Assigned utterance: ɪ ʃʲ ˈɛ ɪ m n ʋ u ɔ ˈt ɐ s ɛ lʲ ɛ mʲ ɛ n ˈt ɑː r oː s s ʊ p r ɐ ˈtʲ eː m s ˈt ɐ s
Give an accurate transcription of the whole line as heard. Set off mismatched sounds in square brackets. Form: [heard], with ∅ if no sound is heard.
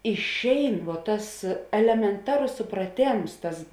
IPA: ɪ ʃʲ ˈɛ ɪ [∅] n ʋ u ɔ ˈt ɐ s ɛ lʲ ɛ mʲ ɛ n ˈt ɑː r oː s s ʊ p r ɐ ˈtʲ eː m s ˈt ɐ s